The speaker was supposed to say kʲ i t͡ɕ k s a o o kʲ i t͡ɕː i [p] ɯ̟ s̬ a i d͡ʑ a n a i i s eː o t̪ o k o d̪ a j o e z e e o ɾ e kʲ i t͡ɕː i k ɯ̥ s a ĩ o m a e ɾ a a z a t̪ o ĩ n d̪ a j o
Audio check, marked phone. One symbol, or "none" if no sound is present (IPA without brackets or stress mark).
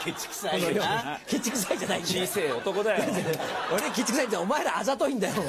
k